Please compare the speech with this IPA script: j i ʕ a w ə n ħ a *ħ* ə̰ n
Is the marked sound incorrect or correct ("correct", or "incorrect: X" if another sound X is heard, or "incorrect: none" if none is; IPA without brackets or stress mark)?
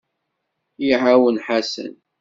incorrect: s